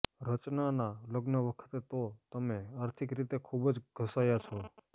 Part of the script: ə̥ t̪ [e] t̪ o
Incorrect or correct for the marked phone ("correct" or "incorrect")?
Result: correct